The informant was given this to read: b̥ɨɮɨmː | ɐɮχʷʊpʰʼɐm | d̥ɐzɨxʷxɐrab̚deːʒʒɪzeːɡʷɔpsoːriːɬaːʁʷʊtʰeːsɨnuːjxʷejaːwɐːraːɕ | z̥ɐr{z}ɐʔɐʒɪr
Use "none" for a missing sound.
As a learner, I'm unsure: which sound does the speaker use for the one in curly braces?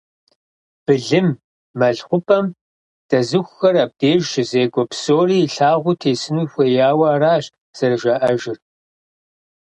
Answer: ʒ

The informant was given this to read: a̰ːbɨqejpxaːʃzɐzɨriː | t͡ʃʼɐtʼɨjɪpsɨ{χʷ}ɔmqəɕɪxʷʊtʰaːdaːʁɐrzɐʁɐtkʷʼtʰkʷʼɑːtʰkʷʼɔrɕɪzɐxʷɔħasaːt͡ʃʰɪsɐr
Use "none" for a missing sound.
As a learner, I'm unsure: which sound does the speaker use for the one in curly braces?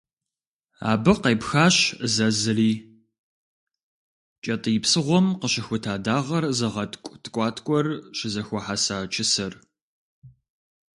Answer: ʁʷ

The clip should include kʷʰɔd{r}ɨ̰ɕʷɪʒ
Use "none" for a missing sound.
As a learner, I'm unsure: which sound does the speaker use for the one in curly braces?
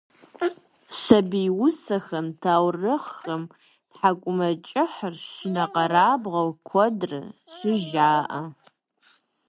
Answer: r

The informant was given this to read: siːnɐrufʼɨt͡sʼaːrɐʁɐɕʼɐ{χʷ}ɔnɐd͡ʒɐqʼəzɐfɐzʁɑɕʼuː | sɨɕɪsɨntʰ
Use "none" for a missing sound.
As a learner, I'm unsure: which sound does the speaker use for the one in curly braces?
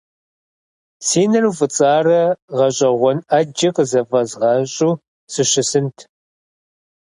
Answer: ʁʷ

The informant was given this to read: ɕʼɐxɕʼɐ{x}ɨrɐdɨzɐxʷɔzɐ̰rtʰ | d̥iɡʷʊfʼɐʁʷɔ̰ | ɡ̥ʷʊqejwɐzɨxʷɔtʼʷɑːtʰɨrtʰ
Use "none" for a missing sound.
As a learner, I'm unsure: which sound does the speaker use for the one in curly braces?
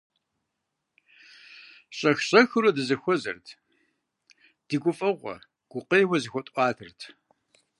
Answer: x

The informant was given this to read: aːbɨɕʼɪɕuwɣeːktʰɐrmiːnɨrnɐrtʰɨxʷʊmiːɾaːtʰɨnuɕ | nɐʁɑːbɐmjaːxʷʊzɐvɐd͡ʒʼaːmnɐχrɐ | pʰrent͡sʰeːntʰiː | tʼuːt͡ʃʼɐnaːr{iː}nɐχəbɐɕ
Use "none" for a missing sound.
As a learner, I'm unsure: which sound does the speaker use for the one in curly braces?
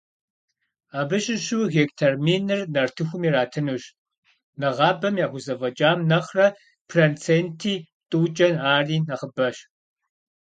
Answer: iː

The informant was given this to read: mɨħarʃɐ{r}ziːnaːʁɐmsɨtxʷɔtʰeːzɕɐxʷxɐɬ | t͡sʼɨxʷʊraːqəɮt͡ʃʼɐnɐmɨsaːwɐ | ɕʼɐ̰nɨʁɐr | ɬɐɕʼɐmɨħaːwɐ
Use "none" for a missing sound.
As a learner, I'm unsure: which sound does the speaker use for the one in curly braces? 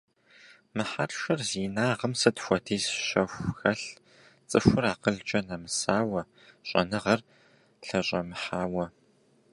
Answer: r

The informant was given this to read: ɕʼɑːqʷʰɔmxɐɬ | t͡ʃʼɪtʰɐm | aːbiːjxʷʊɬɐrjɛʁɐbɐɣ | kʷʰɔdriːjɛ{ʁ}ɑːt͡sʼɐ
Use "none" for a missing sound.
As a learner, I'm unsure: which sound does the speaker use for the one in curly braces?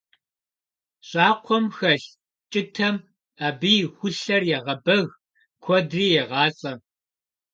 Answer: ʁ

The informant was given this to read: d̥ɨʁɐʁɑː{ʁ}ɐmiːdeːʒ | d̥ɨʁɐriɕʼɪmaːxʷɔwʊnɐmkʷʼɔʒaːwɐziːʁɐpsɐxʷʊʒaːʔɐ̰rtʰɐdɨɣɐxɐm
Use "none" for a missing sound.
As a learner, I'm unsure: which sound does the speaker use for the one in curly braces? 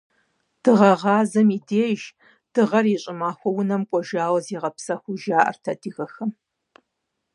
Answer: z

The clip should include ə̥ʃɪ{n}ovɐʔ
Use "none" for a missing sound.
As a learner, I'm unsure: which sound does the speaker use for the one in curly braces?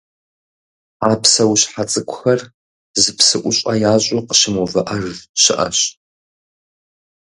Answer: m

